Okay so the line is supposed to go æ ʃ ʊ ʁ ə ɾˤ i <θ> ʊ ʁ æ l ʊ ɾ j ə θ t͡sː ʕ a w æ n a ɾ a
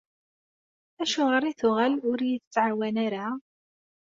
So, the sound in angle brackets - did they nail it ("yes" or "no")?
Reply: yes